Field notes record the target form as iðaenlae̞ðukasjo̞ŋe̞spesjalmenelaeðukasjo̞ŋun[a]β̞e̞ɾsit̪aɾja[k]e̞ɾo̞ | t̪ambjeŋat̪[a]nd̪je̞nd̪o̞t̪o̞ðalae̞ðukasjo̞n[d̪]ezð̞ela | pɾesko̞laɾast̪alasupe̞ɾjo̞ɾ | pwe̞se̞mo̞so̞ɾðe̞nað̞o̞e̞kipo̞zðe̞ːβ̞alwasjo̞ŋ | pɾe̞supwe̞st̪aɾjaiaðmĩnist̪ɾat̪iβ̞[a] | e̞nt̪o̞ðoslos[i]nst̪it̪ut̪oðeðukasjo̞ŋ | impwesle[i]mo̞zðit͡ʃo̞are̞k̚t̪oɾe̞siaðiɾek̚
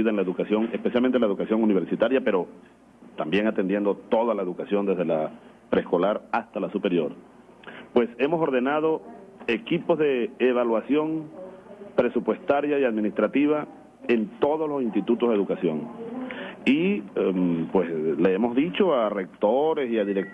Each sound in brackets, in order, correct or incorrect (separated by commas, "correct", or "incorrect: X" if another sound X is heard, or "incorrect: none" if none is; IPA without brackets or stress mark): incorrect: i, incorrect: p, incorrect: e, correct, correct, correct, incorrect: e